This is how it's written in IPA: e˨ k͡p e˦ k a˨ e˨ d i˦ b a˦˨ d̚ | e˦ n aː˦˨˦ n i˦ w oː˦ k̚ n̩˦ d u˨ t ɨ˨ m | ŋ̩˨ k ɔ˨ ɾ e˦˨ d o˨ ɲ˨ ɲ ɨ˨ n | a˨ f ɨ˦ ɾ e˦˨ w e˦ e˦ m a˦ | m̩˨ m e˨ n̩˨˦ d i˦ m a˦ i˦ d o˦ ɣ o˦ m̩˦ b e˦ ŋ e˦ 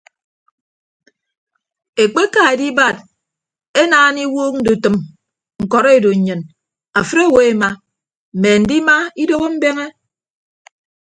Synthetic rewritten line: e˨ k͡p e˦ k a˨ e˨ d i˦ b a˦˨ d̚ | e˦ n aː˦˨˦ n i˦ w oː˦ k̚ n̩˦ d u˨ t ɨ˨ m | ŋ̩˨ k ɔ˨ ɾ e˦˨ d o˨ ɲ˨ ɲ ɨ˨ n | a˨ f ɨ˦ ɾ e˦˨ w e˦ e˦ m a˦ | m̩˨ m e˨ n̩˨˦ d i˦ m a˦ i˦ d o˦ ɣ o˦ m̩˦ b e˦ ŋ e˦